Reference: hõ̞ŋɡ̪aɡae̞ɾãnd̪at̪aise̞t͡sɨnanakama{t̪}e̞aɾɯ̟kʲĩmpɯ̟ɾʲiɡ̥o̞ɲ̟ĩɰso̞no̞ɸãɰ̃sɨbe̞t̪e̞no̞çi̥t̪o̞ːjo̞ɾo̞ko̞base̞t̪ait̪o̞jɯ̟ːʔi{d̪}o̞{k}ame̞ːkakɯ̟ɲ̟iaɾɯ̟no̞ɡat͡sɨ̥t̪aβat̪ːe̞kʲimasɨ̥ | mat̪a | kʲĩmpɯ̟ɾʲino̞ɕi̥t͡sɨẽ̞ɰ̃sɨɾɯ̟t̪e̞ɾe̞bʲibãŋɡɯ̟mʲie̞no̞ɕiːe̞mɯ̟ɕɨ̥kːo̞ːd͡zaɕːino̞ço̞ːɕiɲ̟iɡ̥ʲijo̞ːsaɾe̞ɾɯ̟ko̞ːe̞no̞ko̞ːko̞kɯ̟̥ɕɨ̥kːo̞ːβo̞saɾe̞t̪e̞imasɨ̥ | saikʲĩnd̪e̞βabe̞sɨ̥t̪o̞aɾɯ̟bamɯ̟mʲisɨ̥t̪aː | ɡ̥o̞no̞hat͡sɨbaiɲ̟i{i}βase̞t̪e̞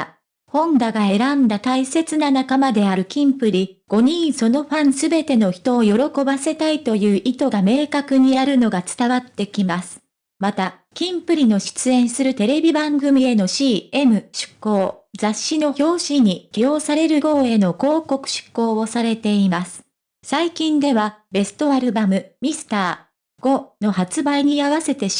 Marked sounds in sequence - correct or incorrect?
incorrect: d̪, incorrect: t̪, incorrect: ɡ, incorrect: a

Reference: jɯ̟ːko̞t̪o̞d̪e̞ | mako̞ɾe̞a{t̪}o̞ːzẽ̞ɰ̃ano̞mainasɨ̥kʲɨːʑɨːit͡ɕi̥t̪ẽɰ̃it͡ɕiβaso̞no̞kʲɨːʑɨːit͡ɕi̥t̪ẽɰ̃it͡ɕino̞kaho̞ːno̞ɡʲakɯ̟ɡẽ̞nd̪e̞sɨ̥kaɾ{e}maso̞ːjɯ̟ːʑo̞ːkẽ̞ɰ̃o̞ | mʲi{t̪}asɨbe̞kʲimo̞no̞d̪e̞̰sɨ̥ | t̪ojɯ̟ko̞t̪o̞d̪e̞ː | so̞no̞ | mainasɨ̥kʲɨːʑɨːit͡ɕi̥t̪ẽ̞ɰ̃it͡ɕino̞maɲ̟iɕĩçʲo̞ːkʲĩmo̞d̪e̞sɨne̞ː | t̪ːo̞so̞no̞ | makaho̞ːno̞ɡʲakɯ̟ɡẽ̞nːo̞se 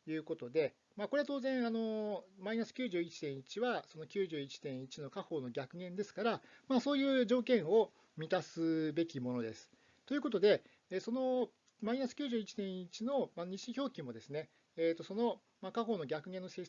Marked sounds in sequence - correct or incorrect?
correct, incorrect: a, correct

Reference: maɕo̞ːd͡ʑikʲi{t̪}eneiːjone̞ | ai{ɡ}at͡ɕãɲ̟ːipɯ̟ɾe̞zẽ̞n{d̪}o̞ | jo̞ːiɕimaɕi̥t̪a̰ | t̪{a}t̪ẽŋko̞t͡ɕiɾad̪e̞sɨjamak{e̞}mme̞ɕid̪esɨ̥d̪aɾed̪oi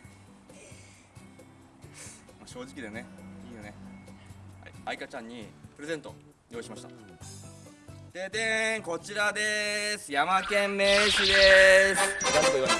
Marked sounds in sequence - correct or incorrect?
incorrect: d̪, incorrect: k, incorrect: t̪, incorrect: e, incorrect: ẽ̞

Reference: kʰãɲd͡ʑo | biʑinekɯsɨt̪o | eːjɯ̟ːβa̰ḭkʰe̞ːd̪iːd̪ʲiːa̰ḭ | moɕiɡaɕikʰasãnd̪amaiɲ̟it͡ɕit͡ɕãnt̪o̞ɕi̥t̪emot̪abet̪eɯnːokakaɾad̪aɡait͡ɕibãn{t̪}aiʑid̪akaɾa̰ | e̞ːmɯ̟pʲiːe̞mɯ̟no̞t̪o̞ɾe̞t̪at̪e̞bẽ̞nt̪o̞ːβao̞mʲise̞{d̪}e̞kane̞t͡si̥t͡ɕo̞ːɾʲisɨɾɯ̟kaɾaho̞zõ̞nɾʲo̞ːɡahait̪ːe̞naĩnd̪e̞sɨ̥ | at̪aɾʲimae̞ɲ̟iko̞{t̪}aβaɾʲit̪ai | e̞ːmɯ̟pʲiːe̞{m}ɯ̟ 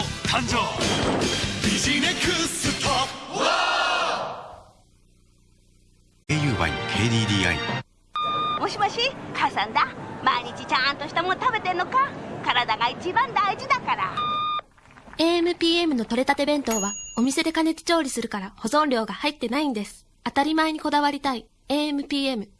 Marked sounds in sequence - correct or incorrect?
incorrect: d̪, correct, incorrect: d̪, correct

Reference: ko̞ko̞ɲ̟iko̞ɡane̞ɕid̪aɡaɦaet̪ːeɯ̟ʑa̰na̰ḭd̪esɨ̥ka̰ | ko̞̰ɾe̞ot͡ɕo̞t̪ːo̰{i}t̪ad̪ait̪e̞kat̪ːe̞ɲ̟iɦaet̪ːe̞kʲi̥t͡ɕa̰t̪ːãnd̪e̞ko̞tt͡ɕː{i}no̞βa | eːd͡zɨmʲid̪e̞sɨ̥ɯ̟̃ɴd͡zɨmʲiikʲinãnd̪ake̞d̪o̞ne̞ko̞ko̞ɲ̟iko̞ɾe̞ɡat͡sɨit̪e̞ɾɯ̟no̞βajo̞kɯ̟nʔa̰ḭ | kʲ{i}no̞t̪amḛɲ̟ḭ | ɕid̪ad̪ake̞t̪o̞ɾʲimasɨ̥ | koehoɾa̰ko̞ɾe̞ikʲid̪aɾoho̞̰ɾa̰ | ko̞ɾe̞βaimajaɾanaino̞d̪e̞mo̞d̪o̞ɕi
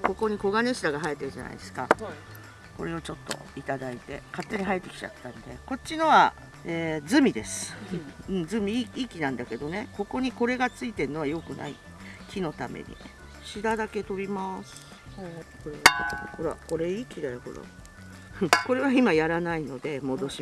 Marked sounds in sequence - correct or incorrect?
correct, correct, correct

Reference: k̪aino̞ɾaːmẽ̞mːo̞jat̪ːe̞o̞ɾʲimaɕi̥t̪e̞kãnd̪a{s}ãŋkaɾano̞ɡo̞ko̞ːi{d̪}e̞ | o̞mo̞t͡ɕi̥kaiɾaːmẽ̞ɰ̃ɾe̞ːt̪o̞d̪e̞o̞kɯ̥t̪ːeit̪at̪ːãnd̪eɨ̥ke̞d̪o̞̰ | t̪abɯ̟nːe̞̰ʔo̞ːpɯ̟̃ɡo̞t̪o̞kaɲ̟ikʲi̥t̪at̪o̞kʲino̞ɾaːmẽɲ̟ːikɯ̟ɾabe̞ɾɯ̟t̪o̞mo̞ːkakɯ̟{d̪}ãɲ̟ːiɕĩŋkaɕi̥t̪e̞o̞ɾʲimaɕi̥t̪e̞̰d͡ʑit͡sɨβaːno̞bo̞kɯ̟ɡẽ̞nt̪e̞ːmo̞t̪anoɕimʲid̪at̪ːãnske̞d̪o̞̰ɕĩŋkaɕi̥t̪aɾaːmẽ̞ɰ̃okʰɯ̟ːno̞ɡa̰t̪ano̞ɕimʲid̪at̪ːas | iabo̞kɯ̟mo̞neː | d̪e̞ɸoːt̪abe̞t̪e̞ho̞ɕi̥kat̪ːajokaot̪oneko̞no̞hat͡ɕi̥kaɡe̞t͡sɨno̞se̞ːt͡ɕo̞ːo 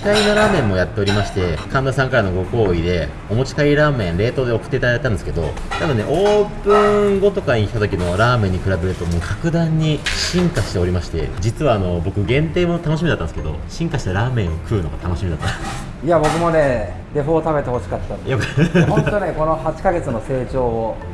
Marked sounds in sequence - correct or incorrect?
correct, correct, correct

